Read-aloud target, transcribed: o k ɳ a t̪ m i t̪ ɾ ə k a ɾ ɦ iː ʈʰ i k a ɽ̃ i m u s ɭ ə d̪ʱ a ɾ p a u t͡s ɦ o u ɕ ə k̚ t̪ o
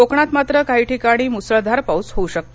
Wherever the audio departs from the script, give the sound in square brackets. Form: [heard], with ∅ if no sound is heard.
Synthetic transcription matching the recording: o k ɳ a t̪ m [a] t̪ ɾ ə k a [∅] ɦ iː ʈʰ i k a ɽ̃ [iː] m u s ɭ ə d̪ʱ a ɾ p a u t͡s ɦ o u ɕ ə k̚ t̪ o

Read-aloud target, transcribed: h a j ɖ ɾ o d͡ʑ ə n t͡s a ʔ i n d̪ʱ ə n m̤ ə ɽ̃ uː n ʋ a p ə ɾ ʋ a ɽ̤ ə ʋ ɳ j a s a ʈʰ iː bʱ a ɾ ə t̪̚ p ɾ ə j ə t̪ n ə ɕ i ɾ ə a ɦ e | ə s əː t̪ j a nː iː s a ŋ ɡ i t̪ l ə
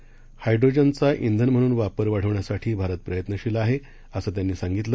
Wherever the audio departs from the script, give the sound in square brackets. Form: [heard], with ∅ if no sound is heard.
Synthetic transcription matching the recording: h a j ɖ ɾ o d͡ʑ ə n t͡s a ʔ i n d̪ʱ ə n m̤ ə ɽ̃ uː n ʋ a p ə ɾ ʋ a ɽ̤ ə ʋ ɳ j a s a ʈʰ iː bʱ a ɾ ə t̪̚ p ɾ ə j ə t̪ n ə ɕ i [l] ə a ɦ e | ə s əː t̪ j a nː iː s a ŋ ɡ i t̪ l ə

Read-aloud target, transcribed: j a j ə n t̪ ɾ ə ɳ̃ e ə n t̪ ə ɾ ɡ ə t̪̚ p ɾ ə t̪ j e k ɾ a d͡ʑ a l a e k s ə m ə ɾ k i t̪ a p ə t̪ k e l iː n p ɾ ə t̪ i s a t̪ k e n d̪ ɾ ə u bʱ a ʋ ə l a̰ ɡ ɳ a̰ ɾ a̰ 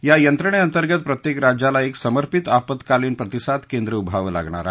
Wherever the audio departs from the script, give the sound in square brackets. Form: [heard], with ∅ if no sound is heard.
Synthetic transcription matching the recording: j a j ə n t̪ ɾ ə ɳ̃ e ə n t̪ ə ɾ ɡ ə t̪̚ p ɾ ə t̪ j e k ɾ a d͡ʑ a l a e k s ə m ə ɾ [p] i t̪ a p ə t̪ k [a] l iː n p ɾ ə t̪ i s a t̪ k e n d̪ ɾ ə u bʱ a ʋ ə l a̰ ɡ ɳ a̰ ɾ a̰

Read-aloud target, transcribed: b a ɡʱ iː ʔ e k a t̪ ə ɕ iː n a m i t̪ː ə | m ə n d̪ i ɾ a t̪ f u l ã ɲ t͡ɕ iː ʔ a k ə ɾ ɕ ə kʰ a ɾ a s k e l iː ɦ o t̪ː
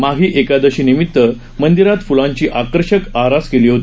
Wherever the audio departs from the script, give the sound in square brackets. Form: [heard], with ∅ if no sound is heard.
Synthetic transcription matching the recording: [m] a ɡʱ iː ʔ e k a [d̪] ə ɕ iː n [i] m i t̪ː ə | m ə n d̪ i ɾ a t̪ f u l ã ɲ t͡ɕ iː ʔ a k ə ɾ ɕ ə [k] a ɾ a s k e l iː ɦ o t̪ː

